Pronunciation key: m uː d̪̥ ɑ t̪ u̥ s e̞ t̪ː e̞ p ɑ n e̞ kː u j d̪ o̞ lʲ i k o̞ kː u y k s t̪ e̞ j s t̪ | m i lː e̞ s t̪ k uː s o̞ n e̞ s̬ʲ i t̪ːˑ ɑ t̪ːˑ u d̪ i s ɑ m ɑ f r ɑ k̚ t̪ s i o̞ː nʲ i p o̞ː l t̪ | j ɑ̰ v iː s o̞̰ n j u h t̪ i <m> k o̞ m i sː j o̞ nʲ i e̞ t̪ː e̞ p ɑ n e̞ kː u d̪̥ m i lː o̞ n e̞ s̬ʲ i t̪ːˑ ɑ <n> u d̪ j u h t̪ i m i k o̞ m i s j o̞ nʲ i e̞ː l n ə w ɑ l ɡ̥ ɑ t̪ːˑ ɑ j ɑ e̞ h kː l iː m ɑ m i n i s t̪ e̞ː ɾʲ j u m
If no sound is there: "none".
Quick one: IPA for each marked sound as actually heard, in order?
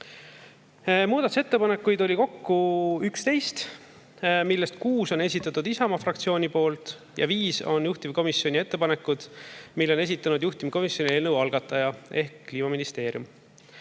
m, n

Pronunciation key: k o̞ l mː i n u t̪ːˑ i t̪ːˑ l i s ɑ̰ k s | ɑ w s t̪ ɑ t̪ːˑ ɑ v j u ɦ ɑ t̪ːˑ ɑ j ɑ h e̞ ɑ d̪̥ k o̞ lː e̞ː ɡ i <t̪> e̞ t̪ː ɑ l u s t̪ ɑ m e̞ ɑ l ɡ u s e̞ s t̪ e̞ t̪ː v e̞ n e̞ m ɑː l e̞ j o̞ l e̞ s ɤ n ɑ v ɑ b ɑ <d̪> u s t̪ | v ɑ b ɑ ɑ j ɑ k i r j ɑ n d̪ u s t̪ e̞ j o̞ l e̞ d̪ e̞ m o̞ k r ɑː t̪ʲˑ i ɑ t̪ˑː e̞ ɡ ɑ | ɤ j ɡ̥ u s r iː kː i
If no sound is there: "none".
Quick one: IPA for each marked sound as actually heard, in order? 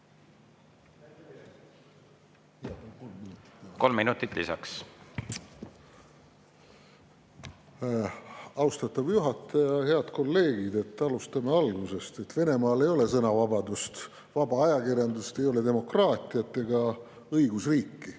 d̪, d̪

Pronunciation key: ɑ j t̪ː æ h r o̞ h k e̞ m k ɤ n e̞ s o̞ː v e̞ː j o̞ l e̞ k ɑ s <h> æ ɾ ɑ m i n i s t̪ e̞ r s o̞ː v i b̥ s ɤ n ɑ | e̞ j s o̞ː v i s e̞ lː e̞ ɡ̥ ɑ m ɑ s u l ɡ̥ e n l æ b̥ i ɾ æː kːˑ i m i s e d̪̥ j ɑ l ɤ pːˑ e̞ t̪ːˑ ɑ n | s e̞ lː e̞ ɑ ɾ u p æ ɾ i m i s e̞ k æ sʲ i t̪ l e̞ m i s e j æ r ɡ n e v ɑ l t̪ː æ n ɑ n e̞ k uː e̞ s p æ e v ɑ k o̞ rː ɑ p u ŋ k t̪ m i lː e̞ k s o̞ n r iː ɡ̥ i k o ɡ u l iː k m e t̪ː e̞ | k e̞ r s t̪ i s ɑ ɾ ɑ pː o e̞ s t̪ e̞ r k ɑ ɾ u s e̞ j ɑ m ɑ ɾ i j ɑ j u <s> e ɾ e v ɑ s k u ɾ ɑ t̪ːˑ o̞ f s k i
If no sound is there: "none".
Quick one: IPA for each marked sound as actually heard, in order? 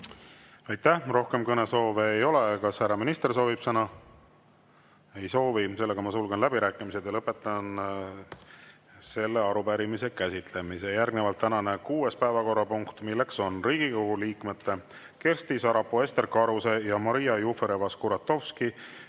h, f

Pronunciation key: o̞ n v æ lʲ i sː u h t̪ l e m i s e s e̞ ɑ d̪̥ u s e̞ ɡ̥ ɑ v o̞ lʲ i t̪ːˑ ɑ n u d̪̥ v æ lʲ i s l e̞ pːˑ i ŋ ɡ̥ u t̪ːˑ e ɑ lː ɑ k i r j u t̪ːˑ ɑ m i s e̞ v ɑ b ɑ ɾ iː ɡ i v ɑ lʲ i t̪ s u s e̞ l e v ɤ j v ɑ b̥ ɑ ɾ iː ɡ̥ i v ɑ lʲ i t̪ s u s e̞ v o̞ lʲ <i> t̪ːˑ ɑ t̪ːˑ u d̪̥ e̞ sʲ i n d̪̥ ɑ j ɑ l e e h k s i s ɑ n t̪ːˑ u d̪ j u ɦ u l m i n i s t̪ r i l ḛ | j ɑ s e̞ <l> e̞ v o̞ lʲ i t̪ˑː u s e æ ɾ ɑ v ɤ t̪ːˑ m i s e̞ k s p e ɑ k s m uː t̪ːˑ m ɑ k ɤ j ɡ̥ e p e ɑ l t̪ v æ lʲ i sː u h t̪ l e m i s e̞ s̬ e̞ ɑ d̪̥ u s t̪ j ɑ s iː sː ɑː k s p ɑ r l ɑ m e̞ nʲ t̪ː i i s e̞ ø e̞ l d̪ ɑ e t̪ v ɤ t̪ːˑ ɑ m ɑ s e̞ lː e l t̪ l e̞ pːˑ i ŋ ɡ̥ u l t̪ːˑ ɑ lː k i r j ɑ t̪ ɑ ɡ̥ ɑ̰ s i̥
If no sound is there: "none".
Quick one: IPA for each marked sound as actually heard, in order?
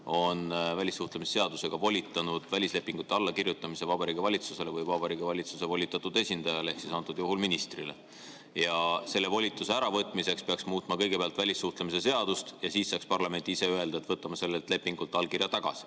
i, lː

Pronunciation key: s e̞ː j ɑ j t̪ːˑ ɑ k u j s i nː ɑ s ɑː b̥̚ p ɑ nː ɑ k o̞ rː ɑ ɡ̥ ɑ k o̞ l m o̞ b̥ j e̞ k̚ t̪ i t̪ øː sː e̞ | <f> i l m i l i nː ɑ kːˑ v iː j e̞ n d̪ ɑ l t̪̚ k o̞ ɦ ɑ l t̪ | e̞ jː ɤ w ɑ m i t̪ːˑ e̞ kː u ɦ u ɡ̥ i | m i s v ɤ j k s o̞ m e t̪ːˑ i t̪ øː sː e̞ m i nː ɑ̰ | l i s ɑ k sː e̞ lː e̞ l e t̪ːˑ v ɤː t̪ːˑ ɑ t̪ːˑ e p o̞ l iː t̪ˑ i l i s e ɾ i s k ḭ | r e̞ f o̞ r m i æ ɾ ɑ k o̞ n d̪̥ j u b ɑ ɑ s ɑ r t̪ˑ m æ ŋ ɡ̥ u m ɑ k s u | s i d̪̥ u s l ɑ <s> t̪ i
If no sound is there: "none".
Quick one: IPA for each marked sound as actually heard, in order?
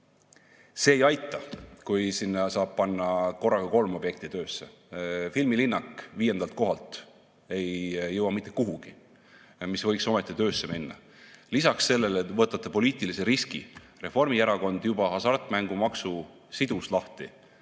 f, h

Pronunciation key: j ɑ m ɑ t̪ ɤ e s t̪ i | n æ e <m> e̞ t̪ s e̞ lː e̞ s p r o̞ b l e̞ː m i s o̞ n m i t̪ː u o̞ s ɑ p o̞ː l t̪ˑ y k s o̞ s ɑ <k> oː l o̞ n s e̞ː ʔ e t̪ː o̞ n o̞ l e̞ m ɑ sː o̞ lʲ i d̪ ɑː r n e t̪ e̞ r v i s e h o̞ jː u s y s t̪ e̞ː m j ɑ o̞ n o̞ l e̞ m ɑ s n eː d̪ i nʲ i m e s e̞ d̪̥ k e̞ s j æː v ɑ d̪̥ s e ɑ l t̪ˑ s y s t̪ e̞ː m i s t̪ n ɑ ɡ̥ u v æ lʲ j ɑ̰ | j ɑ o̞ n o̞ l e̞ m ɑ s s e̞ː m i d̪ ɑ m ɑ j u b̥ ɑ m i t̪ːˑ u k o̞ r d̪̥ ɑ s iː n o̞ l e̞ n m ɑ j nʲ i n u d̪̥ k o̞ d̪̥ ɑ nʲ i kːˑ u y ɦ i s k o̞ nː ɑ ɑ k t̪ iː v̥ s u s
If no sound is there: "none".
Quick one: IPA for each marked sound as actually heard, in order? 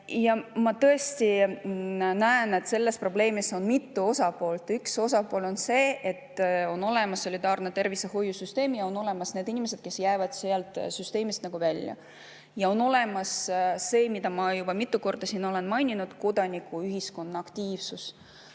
n, p

